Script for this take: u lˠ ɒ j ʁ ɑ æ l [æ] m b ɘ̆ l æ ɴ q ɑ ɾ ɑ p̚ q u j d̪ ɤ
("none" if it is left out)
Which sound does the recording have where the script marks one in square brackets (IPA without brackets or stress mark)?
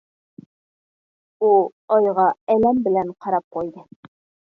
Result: æ